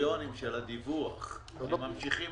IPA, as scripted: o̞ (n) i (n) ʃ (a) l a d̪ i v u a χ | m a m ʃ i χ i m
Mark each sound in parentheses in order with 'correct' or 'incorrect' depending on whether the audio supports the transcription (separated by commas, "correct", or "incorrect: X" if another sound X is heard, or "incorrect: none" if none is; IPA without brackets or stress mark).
correct, incorrect: m, incorrect: e